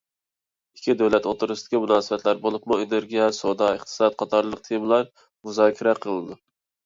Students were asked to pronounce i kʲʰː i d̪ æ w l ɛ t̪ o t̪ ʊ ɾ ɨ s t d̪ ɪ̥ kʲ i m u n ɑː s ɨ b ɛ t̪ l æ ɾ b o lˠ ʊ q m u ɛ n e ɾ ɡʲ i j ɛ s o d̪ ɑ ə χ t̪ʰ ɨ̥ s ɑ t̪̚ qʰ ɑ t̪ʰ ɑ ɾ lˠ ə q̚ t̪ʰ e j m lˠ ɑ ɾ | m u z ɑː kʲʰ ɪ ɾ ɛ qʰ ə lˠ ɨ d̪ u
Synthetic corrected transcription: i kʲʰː i d̪ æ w l ɛ t̪ o t̪ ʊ ɾ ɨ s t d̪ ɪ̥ kʲ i m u n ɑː s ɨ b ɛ t̪ l æ ɾ b o lˠ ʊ p m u e n e ɾ ɡʲ i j ɛ s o d̪ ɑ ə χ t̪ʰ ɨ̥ s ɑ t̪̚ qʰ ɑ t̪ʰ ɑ ɾ lˠ ə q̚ t̪ʰ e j m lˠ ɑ ɾ | m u z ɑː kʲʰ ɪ ɾ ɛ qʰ ə lˠ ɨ d̪ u

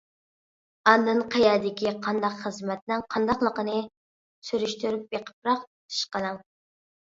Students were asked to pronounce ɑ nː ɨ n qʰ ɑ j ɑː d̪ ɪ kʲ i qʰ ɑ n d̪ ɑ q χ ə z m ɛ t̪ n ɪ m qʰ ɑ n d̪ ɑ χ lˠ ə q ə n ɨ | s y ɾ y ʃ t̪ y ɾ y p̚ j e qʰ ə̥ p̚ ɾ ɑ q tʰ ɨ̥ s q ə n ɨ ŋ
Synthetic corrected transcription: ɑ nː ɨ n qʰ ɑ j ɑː d̪ ɪ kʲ i qʰ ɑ n d̪ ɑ q χ ə z m ɛ t̪ n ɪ ŋ qʰ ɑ n d̪ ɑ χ lˠ ə q ə n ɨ | s y ɾ y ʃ t̪ y ɾ y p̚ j e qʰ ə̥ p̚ ɾ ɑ q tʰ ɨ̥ ʃ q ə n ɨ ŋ

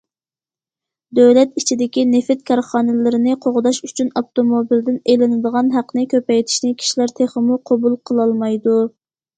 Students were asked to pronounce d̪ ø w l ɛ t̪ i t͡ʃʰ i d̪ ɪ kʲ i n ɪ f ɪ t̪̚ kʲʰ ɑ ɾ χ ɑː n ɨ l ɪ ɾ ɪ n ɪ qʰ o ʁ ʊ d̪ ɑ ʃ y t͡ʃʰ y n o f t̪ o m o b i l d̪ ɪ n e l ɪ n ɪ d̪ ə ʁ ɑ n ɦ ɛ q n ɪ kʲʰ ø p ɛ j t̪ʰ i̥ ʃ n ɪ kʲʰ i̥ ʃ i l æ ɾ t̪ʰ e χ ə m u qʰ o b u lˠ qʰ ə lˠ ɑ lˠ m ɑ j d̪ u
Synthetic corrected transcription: d̪ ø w l ɛ t̪ i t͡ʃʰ i d̪ ɪ kʲ i n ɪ f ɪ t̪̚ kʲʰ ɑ ɾ χ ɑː n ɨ l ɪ ɾ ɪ n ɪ qʰ o ʁ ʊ d̪ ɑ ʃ y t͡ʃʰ y n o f t̪ o m o b i l d̪ ɪ n e l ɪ n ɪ d̪ ə ʁ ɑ n ɦ æ q n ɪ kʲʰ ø p ɛ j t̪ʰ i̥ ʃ n ɪ kʲʰ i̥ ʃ i l æ ɾ t̪ʰ e χ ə m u qʰ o b u lˠ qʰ ə lˠ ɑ lˠ m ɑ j d̪ u

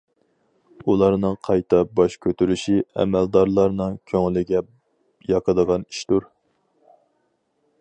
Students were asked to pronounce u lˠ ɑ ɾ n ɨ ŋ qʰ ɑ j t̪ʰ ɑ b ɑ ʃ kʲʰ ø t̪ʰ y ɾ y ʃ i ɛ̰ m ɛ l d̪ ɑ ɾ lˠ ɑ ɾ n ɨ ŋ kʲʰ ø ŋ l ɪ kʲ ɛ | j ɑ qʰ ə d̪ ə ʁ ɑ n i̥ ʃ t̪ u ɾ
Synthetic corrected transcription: u lˠ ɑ ɾ n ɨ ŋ qʰ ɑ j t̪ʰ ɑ b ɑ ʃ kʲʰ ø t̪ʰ y ɾ y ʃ i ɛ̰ m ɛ l d̪ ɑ ɾ lˠ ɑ ɾ n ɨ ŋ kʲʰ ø ŋ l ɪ ɡʲ ɛ | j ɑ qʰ ə d̪ ə ʁ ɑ n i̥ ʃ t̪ u ɾ

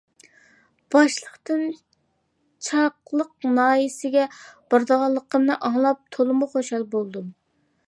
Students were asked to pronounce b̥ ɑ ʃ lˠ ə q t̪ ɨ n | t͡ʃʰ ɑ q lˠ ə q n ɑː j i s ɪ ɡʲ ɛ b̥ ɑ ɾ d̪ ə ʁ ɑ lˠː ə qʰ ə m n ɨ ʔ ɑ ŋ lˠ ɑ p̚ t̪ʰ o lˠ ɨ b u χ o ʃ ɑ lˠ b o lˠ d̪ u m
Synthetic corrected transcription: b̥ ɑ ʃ lˠ ə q t̪ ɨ n | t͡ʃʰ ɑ q lˠ ə q n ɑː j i s ɪ ɡʲ ɛ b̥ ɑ ɾ d̪ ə ʁ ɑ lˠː ə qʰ ə m n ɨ ʔ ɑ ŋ lˠ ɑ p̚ t̪ʰ o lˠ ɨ m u χ o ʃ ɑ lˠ b o lˠ d̪ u m

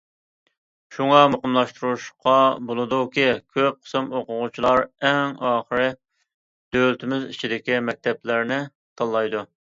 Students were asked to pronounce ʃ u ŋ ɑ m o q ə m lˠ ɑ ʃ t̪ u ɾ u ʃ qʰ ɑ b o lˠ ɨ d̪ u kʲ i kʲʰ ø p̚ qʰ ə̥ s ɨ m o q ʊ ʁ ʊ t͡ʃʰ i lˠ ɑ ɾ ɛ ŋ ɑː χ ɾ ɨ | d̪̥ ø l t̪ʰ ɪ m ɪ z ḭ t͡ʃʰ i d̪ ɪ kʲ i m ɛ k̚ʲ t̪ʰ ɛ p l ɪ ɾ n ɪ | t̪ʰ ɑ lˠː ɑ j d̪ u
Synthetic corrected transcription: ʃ u ŋ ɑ m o q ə m lˠ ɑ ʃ t̪ u ɾ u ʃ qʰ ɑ b o lˠ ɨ d̪ u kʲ i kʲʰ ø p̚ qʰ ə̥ s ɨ m o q ʊ ʁ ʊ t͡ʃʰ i lˠ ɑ ɾ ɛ ŋ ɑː χ ɾ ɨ | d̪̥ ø l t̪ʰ ɪ m ɪ z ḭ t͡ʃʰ i d̪ ɪ kʲ i m ɛ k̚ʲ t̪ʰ ɛ p l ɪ ɾ n ɪ | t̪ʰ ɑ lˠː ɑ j d̪ u

